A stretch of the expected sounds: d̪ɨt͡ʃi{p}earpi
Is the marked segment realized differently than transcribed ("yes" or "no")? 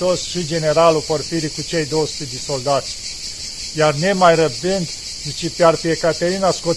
no